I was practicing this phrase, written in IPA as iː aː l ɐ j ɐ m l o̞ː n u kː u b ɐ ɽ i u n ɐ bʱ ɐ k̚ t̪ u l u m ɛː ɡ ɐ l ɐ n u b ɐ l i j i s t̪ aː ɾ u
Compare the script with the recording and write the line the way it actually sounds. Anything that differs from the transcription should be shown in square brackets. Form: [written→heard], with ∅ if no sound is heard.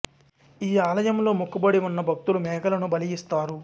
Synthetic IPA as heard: iː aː l ɐ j ɐ m l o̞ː [n→m] u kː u b ɐ ɽ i u [n→nː] ɐ bʱ ɐ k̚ t̪ u l u m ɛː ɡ ɐ l ɐ n u b ɐ l i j i s t̪ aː ɾ u